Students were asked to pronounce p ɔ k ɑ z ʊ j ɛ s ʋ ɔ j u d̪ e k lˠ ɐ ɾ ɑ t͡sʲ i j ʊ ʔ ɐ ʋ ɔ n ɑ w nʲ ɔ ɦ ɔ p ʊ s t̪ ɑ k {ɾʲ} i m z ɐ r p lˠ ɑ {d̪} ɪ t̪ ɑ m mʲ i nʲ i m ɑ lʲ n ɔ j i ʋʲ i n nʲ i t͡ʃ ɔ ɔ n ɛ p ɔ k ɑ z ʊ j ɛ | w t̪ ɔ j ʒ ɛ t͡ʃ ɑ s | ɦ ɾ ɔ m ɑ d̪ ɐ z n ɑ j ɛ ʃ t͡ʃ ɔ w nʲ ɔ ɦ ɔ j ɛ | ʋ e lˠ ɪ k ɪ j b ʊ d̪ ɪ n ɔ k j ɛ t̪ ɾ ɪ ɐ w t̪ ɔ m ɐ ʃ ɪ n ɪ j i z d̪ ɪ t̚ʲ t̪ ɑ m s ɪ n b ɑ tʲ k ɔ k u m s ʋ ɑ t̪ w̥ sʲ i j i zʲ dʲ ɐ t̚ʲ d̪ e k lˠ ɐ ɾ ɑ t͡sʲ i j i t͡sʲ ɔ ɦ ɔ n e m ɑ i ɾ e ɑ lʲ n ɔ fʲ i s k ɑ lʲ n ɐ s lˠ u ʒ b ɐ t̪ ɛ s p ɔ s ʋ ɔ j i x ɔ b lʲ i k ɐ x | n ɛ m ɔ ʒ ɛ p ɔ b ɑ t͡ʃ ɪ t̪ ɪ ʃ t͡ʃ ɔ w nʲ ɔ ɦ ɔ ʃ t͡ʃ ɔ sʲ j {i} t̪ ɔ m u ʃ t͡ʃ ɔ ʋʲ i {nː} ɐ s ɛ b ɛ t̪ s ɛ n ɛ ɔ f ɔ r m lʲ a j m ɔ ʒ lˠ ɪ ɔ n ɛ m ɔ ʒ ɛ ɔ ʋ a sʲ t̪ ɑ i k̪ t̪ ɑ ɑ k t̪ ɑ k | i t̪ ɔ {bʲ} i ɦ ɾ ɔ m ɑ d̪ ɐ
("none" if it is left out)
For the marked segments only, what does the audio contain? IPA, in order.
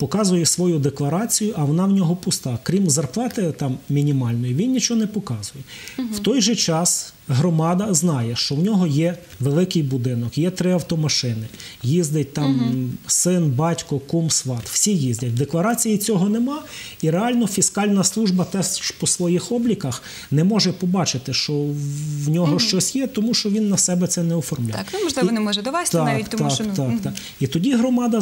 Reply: ɾʲ, t̪, ɛ, nː, dʲ

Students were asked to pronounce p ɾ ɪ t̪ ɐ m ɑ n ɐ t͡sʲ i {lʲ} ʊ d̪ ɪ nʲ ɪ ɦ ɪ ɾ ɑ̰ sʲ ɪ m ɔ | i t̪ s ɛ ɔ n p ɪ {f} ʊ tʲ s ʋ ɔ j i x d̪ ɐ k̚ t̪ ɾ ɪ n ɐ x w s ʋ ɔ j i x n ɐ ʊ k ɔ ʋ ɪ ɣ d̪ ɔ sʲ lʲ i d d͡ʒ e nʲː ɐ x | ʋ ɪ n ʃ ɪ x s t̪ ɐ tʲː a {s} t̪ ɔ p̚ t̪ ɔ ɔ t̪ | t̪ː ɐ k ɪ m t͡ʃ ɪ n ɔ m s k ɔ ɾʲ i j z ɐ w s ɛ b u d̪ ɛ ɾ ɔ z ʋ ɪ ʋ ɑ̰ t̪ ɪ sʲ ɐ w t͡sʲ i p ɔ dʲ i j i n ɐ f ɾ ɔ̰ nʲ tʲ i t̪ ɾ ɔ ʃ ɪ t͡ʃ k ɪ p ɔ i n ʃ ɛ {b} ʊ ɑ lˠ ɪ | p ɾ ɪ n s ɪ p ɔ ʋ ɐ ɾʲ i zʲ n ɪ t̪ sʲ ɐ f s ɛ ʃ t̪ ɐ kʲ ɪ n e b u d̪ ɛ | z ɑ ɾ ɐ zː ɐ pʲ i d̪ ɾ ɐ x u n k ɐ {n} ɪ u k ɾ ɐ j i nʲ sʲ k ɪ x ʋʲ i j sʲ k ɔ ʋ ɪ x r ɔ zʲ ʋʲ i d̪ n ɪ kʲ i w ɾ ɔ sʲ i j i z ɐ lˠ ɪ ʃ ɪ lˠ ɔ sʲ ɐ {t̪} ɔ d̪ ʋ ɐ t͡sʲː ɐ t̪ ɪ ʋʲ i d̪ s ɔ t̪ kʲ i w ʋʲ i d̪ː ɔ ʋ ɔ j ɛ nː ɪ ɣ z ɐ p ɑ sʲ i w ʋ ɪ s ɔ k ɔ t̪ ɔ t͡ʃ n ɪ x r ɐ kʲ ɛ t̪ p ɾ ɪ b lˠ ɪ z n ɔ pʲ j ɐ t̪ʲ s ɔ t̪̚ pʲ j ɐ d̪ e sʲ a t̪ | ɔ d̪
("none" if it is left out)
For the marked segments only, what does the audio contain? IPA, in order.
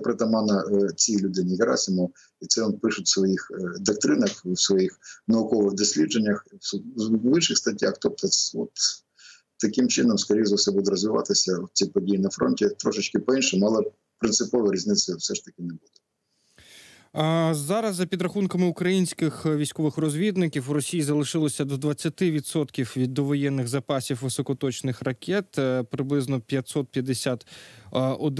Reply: lʲ, ʃ, x, m, m, d̪

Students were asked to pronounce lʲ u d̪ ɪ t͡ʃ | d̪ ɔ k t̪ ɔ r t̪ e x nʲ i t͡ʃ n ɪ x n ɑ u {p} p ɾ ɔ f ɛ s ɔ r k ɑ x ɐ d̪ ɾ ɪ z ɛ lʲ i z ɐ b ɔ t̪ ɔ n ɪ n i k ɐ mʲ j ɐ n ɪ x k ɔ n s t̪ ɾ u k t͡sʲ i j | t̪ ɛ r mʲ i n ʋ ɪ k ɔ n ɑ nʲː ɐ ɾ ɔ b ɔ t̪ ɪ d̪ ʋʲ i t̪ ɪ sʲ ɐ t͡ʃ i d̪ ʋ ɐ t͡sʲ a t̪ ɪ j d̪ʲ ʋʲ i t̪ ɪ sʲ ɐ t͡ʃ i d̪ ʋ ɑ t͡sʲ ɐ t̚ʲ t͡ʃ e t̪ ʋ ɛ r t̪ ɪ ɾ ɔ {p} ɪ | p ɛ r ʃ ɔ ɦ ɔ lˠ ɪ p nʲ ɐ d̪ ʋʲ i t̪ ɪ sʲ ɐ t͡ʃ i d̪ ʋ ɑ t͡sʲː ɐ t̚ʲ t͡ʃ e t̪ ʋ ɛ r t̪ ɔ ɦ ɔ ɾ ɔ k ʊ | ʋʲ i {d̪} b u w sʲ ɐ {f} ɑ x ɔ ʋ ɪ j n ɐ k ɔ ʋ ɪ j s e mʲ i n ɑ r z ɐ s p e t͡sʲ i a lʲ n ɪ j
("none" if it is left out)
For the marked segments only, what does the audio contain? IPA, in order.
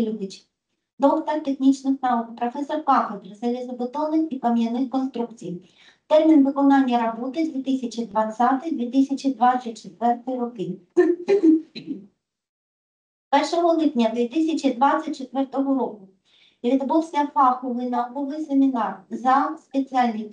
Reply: k, k, d̪, f

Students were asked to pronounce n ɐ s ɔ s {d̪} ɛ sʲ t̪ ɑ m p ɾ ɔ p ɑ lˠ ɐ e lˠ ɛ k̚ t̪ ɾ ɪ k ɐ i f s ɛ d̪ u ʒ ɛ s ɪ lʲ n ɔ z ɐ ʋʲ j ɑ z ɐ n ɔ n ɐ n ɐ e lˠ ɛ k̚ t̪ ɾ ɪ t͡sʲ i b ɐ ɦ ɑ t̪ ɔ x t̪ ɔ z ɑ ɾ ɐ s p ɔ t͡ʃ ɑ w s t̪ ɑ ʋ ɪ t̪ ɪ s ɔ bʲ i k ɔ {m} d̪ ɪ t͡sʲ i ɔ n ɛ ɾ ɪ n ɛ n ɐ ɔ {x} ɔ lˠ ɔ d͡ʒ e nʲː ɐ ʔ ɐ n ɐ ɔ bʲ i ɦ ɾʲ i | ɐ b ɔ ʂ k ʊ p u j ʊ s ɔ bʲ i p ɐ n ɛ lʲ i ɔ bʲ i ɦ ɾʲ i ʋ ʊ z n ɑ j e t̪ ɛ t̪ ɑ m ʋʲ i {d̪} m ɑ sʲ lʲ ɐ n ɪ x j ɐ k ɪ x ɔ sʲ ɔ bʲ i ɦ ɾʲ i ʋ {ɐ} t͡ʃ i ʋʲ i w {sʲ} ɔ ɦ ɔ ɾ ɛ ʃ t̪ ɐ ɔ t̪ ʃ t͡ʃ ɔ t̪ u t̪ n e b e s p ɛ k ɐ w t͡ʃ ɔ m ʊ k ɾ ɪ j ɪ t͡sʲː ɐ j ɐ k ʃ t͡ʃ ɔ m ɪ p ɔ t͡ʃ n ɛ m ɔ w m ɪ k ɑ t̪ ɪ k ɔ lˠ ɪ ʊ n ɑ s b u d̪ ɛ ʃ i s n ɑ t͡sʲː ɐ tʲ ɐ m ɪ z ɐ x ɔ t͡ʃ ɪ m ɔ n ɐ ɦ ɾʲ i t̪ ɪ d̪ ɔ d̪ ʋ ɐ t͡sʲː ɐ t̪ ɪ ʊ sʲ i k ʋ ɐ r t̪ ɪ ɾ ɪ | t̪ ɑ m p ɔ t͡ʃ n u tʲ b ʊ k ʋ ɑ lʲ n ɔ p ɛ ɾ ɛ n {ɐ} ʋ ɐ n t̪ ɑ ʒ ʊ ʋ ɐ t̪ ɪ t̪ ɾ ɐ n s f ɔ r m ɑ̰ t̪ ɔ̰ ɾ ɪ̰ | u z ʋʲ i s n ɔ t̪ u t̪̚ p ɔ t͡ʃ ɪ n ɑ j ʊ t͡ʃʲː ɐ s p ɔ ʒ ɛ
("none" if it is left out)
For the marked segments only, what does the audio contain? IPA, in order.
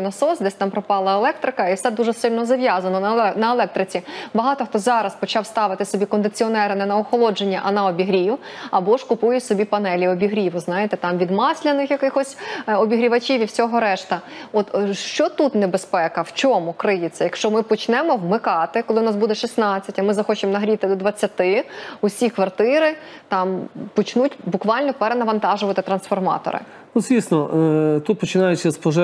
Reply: d̪, n, x, d̪, ɐ, sʲ, ɐ

